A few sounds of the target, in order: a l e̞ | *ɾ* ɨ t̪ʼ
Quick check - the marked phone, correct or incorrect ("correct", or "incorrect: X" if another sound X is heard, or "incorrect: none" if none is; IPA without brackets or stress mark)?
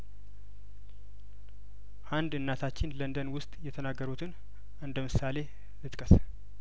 incorrect: l